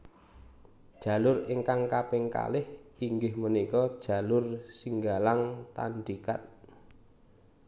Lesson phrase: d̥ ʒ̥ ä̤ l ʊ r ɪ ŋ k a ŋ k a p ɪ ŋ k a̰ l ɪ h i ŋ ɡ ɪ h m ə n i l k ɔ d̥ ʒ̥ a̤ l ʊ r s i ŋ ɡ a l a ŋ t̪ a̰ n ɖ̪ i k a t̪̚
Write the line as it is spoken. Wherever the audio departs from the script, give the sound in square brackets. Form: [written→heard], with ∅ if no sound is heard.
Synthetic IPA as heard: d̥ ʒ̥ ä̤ l ʊ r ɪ ŋ k a ŋ k a p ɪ ŋ k a̰ l ɪ h i ŋ ɡ ɪ h m ə n i [l→∅] k ɔ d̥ ʒ̥ a̤ l ʊ r s i ŋ ɡ a l a ŋ t̪ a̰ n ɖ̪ i k a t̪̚